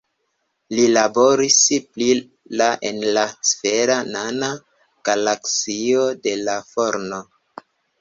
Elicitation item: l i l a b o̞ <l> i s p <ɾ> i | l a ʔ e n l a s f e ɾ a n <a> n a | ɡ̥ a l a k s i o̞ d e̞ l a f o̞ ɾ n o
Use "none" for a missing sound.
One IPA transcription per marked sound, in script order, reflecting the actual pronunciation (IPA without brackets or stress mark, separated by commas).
ɾ, l, a